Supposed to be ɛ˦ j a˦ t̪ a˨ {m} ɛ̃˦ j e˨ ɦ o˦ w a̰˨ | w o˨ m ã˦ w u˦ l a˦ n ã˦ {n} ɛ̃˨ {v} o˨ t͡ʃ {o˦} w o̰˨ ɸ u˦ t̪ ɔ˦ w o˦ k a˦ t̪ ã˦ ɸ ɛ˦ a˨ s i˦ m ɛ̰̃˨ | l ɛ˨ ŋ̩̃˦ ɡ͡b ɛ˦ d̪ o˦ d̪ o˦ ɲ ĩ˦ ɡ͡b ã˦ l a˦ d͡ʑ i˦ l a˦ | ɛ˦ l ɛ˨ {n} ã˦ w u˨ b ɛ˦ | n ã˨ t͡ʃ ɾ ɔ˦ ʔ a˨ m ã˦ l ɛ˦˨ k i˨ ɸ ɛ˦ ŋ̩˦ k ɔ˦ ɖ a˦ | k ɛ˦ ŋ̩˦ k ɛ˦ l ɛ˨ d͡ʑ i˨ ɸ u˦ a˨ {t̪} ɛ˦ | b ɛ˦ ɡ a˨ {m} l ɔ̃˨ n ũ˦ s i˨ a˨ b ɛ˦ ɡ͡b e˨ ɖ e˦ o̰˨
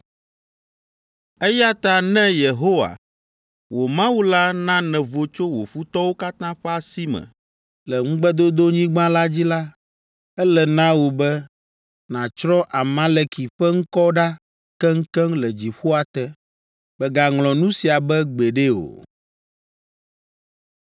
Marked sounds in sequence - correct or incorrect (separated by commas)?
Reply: incorrect, correct, correct, correct, correct, correct, incorrect